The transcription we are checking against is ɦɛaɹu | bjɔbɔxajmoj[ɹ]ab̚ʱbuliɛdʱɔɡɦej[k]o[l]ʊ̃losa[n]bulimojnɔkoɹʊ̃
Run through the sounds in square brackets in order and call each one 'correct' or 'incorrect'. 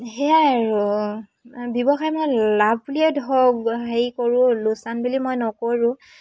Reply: incorrect: l, correct, incorrect: ɹ, correct

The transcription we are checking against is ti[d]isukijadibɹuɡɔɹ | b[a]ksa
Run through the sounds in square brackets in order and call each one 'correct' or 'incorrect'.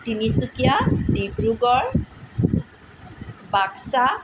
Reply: incorrect: n, correct

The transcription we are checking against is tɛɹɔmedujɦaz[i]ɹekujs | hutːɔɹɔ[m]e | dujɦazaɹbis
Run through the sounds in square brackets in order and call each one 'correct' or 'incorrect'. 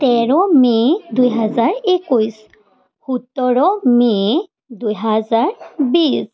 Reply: incorrect: a, correct

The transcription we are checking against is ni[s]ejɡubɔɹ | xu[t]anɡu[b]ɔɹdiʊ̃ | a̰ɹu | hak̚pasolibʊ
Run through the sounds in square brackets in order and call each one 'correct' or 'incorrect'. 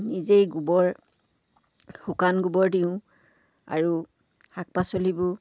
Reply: incorrect: z, incorrect: k, correct

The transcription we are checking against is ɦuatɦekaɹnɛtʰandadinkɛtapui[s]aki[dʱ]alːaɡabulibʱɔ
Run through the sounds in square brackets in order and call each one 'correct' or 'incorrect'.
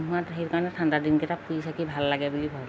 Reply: correct, incorrect: bʱ

